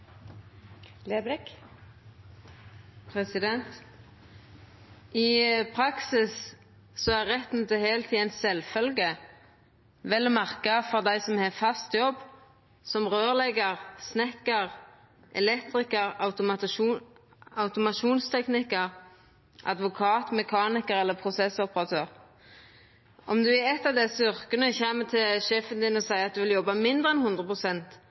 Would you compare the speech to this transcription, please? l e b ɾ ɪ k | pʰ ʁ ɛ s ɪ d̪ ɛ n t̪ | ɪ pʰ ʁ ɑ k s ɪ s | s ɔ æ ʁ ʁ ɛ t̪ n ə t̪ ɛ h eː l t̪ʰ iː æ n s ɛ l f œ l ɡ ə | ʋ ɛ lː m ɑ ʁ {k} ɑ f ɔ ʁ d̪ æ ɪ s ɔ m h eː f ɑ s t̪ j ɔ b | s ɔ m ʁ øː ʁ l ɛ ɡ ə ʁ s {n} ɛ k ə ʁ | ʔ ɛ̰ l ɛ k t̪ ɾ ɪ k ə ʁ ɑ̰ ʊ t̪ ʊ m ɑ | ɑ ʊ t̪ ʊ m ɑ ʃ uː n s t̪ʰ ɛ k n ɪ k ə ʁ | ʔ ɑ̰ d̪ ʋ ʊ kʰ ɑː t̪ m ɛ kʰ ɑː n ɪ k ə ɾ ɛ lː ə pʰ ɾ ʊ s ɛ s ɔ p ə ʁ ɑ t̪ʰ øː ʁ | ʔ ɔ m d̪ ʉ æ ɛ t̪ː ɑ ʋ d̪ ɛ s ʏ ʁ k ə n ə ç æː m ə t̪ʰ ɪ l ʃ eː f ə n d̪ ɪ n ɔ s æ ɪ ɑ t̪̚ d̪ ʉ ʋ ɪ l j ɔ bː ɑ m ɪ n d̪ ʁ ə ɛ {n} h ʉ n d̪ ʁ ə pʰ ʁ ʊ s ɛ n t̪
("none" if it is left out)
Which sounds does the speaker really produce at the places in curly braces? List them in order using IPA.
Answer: k, n, n

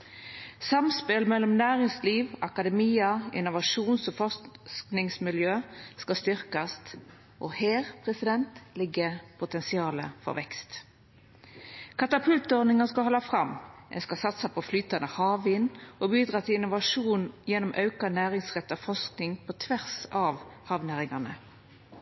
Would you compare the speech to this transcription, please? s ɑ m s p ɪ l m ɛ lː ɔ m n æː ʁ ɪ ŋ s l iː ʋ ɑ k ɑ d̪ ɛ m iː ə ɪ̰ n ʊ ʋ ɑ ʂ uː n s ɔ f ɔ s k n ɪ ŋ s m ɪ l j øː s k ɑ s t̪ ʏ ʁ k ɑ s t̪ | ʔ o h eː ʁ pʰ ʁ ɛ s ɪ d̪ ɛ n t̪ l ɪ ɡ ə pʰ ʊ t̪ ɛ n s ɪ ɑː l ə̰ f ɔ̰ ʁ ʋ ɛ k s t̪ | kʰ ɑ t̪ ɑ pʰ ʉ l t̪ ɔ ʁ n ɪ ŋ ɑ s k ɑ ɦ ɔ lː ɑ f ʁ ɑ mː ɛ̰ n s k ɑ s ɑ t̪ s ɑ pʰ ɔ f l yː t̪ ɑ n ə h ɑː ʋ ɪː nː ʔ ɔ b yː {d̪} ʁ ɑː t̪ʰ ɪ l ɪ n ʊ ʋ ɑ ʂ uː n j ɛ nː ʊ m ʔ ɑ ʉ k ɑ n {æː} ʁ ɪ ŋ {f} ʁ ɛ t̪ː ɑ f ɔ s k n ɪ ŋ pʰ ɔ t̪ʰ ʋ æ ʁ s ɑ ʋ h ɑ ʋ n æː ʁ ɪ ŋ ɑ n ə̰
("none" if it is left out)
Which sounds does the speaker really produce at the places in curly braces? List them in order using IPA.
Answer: d̪, æː, s

